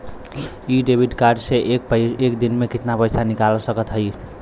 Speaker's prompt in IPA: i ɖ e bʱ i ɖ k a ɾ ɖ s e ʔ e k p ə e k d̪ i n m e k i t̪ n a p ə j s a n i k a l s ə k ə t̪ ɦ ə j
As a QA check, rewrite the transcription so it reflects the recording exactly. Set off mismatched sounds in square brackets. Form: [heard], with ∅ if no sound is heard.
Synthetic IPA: i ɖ e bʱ i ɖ k a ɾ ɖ s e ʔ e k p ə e k d̪ i n m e k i t̪ n a p ə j s a n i k a l s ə k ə t̪ ɦ ə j